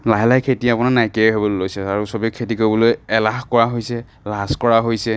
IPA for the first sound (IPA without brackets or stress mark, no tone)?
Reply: l